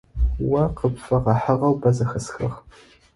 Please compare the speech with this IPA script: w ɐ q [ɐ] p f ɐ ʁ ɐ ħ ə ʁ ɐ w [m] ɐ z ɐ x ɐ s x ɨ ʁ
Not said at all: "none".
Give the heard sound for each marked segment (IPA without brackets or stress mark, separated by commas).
ə, b